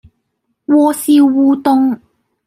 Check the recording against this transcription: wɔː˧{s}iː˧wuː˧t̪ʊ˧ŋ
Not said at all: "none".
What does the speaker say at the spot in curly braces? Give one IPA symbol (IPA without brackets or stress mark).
s